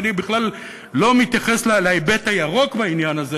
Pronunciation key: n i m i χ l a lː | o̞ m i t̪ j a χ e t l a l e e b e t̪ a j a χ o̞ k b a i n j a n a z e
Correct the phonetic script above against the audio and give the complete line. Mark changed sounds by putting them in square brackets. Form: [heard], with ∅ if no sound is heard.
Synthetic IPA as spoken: n i [b] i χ l a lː | o̞ m i t̪ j a χ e [s] l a l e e b e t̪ a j a [ʁ] o̞ k b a i n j a n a z e